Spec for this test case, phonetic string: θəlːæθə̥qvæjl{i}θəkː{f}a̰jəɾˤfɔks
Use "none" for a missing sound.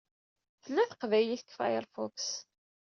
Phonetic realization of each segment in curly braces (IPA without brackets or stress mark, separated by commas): i, f